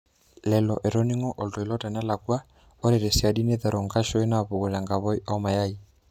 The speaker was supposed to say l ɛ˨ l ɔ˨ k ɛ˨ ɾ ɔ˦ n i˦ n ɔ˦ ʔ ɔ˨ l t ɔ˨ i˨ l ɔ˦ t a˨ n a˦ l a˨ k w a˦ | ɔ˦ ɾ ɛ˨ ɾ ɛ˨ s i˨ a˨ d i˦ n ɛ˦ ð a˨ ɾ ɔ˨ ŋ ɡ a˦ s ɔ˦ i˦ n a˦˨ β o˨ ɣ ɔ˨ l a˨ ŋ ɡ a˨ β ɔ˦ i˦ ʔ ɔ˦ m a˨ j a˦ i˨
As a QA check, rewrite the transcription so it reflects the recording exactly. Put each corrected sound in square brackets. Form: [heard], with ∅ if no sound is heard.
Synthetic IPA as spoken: l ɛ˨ l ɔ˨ [ʔ] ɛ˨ ɾ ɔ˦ n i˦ [ŋ] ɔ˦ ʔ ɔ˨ l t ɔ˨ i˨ l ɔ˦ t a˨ n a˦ l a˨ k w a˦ | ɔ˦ ɾ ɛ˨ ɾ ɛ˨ s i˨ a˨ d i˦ n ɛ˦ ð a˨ ɾ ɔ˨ ŋ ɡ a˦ [ʃ] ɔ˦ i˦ n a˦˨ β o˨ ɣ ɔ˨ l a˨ ŋ ɡ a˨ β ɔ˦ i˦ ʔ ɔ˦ m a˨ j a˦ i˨